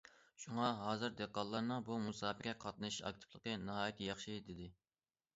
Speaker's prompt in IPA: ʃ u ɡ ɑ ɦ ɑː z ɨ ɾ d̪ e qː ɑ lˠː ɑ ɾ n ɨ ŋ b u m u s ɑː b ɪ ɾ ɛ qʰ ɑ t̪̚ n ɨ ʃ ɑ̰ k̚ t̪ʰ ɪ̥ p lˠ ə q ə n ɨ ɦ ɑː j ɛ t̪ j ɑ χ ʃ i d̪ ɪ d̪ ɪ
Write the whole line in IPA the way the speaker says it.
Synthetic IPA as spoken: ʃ u ŋ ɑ ɦ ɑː z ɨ ɾ d̪ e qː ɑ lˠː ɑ ɾ n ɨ ŋ b u m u s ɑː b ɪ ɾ ɛ qʰ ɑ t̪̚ n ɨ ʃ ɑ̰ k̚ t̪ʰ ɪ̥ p lˠ ə q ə n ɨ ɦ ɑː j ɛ t̪ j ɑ χ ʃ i d̪ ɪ d̪ ɪ